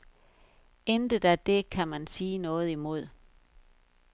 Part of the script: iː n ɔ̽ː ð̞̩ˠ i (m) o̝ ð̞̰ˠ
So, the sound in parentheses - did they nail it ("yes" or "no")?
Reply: yes